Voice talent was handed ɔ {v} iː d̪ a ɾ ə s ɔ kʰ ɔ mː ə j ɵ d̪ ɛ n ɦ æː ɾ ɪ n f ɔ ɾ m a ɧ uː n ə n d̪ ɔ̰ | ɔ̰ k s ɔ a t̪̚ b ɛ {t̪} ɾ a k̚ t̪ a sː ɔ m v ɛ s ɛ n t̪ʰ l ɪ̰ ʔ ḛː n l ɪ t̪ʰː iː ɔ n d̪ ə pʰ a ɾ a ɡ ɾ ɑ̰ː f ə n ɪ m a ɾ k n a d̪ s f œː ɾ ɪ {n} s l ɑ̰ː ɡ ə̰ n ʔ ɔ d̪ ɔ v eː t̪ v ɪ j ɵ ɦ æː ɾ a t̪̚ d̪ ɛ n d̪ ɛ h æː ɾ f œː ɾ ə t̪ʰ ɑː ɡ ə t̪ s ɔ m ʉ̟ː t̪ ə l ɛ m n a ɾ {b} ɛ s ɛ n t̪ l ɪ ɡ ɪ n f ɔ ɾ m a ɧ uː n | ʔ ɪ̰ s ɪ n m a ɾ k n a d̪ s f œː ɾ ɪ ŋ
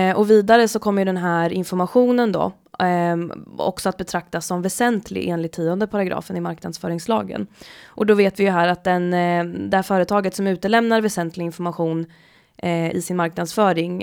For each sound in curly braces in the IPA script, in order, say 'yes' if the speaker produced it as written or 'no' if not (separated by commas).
yes, no, no, no